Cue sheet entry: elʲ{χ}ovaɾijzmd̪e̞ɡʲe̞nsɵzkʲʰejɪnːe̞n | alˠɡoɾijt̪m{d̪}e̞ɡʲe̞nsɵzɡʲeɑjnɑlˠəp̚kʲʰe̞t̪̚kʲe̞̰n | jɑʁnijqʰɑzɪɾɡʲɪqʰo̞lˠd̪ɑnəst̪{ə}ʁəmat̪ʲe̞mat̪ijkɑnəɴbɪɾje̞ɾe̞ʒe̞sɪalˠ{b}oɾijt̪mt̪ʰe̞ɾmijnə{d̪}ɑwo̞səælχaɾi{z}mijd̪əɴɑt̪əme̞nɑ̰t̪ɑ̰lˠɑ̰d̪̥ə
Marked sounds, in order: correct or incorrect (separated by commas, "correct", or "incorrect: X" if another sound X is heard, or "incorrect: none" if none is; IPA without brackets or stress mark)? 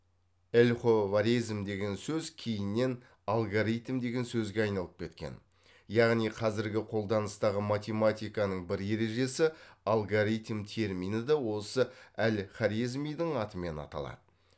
correct, correct, incorrect: ɑ, incorrect: ɡ, correct, correct